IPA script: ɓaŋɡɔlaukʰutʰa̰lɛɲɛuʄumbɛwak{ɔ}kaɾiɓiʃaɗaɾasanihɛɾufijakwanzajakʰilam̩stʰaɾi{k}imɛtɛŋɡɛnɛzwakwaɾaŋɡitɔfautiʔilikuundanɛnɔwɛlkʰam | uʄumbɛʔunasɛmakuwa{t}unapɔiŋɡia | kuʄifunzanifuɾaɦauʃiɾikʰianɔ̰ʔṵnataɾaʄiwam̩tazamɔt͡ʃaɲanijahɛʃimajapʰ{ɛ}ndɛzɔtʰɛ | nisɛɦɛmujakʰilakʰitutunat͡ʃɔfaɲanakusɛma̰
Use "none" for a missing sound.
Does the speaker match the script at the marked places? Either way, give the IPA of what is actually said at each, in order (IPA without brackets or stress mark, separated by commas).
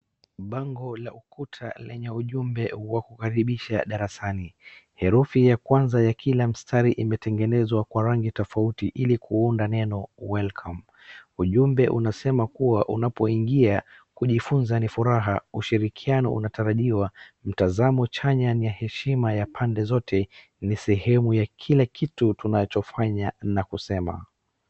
u, ʔ, ʔ, a